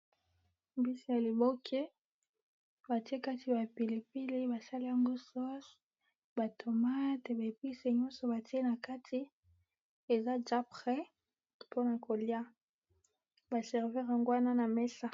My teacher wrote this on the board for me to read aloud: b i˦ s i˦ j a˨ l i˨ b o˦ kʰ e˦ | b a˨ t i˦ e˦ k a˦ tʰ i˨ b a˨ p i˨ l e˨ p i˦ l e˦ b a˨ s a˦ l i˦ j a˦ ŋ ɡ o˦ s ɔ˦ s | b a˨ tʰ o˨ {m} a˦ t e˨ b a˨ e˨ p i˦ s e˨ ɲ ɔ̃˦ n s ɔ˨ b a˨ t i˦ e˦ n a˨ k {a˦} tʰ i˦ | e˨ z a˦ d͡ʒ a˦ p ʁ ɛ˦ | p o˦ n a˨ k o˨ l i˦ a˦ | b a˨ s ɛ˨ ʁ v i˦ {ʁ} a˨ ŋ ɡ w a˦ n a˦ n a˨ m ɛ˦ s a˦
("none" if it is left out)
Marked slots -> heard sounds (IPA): m, a˦, ʁ

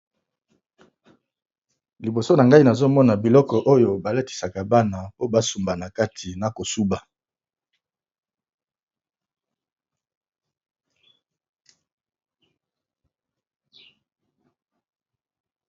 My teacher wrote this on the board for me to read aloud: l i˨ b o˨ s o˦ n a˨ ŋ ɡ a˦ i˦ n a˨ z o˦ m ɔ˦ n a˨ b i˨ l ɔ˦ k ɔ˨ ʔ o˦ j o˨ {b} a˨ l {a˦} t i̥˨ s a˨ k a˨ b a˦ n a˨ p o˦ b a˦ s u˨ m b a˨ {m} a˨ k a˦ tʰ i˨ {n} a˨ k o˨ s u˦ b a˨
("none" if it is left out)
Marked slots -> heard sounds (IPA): b, e˦, n, n

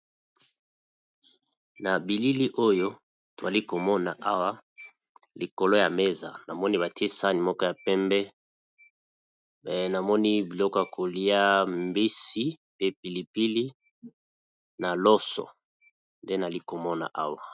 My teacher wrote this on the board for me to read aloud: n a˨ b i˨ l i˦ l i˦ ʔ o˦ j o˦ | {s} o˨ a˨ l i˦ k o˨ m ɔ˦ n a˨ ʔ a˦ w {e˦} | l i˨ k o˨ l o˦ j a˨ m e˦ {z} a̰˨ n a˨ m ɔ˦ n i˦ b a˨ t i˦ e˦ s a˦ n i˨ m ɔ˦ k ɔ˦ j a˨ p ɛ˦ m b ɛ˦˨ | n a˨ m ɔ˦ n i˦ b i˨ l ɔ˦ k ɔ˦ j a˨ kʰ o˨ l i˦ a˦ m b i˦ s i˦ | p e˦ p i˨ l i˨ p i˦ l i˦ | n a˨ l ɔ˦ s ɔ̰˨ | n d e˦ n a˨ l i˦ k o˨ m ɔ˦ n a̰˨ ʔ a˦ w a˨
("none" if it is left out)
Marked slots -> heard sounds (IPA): t, a˦, z

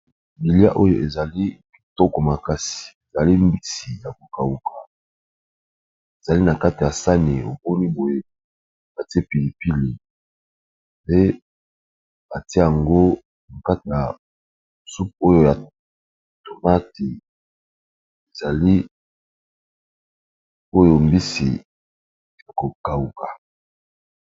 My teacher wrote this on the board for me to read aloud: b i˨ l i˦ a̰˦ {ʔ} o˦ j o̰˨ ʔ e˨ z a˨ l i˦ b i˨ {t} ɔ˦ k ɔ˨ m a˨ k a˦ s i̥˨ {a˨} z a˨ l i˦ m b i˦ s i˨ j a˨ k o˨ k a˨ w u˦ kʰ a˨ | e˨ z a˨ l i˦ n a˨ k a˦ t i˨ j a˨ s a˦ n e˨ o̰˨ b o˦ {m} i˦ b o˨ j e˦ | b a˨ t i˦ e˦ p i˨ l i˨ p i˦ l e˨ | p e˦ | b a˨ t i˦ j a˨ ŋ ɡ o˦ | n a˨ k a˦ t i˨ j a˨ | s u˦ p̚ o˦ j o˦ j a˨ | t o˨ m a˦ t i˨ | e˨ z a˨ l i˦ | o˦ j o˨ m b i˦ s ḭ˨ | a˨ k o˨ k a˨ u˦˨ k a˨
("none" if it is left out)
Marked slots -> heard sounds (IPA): ʔ, t, e˨, n

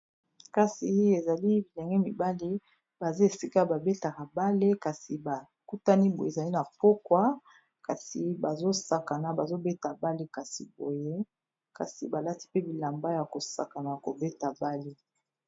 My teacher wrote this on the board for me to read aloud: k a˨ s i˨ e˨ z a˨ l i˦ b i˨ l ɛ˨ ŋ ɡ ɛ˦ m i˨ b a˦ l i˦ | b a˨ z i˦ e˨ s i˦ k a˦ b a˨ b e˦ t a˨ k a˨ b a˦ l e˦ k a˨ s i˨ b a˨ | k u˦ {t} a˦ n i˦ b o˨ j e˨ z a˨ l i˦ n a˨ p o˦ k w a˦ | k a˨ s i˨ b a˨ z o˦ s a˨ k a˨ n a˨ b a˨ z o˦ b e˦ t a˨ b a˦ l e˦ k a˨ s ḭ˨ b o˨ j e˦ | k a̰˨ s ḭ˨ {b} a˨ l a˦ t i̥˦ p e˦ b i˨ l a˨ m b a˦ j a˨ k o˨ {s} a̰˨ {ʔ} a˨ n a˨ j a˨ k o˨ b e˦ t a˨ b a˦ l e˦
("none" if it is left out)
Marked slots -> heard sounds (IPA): t, b, s, k

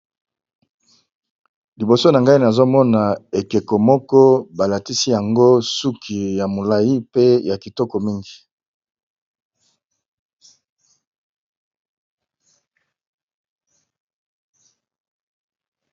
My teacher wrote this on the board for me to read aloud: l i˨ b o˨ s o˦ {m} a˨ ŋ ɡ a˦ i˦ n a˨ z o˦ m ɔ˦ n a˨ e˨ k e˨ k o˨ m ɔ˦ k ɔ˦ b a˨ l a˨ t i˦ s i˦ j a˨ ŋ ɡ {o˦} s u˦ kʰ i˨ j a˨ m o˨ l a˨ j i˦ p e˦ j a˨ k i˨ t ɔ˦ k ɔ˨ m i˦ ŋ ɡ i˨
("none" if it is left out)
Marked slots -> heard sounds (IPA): n, o˦

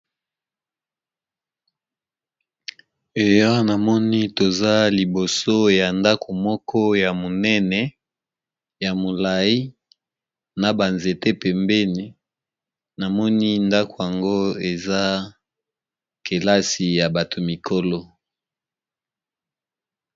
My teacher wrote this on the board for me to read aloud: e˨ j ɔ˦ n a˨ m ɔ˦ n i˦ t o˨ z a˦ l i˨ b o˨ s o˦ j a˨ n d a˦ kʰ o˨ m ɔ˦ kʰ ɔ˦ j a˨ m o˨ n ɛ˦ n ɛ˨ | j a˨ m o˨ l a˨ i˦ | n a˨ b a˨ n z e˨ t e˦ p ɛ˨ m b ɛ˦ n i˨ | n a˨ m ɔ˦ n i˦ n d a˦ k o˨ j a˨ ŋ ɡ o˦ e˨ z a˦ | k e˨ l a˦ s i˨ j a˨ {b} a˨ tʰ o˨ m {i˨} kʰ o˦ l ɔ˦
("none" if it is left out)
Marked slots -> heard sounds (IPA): b, i˨

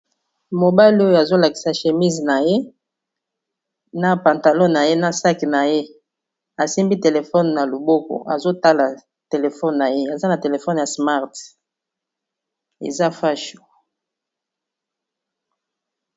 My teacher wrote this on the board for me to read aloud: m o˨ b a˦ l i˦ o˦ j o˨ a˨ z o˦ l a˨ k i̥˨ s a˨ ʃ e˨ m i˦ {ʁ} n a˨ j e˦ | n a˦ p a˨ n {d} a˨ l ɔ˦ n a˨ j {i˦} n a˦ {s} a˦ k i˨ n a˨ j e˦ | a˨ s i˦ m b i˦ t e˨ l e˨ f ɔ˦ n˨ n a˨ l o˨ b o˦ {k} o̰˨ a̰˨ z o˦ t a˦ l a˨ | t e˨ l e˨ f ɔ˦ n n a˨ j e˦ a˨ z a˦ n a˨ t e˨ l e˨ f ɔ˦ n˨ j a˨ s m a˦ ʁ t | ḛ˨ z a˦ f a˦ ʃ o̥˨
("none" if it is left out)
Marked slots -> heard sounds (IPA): z, t, e˦, s, k

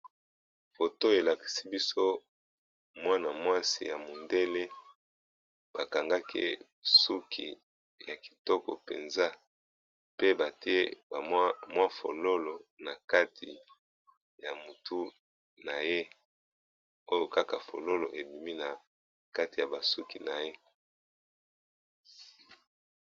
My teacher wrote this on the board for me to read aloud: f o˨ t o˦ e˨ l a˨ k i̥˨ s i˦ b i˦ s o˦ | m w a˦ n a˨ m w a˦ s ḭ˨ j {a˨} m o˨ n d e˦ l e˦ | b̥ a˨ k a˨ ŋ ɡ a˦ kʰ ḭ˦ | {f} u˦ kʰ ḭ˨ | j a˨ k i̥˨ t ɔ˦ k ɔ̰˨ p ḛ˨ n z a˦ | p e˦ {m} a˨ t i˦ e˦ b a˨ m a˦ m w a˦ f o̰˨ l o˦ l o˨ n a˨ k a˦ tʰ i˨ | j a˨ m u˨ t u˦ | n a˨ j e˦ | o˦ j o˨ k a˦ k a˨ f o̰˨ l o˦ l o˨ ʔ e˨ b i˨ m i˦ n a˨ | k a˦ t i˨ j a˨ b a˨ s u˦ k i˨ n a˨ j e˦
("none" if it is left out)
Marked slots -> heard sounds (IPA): a˨, s, b

